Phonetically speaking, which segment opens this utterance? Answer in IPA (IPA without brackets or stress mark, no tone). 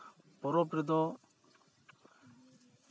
p